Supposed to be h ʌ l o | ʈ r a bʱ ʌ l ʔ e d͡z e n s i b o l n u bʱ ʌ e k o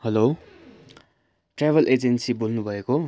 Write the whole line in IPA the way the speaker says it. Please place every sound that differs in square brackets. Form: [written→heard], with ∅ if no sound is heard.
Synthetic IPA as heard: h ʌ l o | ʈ r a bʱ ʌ l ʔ e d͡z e n s i b o l n u bʱ ʌ e k o